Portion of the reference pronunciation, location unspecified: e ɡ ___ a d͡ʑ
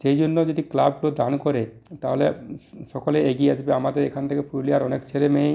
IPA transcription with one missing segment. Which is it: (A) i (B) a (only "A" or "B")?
A